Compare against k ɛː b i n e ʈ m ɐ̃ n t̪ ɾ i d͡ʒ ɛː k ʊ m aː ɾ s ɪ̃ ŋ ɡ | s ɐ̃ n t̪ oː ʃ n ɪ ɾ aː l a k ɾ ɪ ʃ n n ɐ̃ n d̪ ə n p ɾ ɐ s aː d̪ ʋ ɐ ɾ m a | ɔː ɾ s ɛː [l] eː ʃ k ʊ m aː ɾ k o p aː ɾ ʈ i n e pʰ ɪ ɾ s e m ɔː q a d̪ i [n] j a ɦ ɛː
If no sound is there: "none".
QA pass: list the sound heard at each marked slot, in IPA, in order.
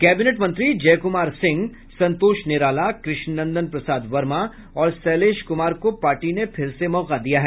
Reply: l, none

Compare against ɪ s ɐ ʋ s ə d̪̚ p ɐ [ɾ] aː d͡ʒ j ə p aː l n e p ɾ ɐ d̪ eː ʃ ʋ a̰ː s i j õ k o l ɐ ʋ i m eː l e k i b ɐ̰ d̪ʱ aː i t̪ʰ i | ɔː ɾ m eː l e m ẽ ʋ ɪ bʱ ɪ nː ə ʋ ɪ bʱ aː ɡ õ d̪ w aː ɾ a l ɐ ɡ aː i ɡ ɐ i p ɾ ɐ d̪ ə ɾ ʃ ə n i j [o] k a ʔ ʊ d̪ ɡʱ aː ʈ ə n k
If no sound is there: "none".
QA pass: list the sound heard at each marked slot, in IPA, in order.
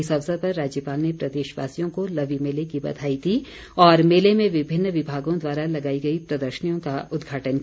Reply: ɾː, õ

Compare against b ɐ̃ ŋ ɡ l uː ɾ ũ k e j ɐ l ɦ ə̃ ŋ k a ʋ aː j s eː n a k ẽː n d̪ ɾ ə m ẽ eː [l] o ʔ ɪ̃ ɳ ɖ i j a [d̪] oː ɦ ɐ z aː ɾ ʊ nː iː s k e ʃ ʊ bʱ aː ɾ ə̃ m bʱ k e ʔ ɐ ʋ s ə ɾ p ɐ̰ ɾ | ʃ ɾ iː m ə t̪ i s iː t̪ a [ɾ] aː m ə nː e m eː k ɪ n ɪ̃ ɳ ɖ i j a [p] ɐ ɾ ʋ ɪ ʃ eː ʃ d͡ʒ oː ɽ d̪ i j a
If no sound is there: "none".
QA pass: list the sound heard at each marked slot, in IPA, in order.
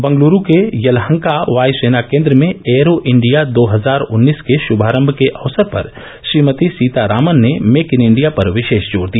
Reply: ɾ, d̪, ɾ, p

